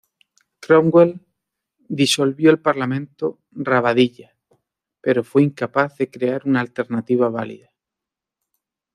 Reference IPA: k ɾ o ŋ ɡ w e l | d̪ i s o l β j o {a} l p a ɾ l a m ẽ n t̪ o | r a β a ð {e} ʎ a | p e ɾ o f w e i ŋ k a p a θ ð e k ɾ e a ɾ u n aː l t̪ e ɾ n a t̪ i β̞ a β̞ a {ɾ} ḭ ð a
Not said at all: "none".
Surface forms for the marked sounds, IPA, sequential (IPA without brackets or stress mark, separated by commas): e, i, l